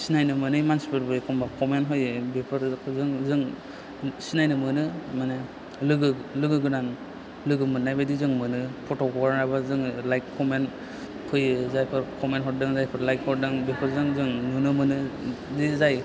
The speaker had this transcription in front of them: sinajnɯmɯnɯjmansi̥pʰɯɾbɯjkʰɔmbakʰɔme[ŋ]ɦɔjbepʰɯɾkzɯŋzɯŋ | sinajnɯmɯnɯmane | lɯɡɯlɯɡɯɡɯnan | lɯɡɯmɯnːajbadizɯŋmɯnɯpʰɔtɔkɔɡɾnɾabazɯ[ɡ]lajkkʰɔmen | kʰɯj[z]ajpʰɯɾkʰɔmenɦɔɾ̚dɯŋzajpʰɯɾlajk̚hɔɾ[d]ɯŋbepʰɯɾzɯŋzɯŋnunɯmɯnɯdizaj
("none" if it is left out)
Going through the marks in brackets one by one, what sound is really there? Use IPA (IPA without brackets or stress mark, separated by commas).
n, ŋ, z, d